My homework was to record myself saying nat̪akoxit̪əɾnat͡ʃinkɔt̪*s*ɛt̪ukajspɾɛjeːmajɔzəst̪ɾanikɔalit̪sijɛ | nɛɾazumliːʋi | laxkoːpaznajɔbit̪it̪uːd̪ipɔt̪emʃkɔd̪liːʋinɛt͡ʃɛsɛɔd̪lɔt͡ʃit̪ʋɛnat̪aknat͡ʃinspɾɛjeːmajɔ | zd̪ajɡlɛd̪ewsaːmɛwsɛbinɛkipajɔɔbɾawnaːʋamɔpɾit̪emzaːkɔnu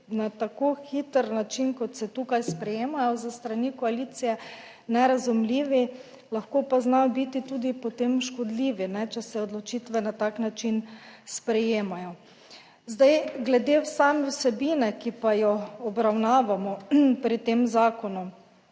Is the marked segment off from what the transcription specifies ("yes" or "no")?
no